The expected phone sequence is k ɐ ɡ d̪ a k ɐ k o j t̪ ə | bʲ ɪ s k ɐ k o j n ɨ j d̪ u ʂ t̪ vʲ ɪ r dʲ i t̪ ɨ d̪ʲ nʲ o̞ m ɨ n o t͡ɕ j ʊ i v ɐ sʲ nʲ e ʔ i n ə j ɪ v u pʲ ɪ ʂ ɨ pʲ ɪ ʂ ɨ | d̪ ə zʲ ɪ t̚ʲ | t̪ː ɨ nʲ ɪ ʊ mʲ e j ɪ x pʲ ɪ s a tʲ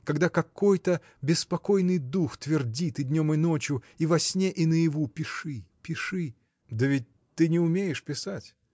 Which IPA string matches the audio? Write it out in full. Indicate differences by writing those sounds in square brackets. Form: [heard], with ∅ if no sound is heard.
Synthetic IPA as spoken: k ɐ ɡ d̪ a k ɐ k o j t̪ ə | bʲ ɪ s [p] ɐ k o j n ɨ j d̪ u [x] t̪ vʲ ɪ r dʲ i t̪ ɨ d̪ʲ nʲ o̞ m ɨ n o t͡ɕ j ʊ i v ɐ sʲ nʲ e ʔ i n ə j ɪ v u pʲ ɪ ʂ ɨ pʲ ɪ ʂ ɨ | d̪ ə [vʲ] ɪ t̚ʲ | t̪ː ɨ nʲ ɪ ʊ mʲ e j ɪ [ʂ] pʲ ɪ s a tʲ